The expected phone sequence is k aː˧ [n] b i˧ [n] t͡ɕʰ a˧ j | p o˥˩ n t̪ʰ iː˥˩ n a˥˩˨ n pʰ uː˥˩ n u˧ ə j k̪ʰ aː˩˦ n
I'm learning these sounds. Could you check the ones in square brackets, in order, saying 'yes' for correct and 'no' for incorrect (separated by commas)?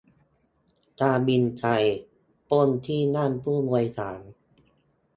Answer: no, yes